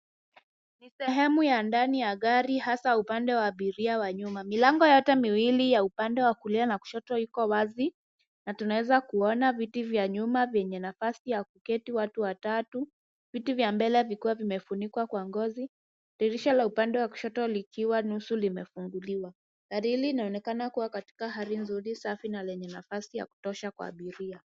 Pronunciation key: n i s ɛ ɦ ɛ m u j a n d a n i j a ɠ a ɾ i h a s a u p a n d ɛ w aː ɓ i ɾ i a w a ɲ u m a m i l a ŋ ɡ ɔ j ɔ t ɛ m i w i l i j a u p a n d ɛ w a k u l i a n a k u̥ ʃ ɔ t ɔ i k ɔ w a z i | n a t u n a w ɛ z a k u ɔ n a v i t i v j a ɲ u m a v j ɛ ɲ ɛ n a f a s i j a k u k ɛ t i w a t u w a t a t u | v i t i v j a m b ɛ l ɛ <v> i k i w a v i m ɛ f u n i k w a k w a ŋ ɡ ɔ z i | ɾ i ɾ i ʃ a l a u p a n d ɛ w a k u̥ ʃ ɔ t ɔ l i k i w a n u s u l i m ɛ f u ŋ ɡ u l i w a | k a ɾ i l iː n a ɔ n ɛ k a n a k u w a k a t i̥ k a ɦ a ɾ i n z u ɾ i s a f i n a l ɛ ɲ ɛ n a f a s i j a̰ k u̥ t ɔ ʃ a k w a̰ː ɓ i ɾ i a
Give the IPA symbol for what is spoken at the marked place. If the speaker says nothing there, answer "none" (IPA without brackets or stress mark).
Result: v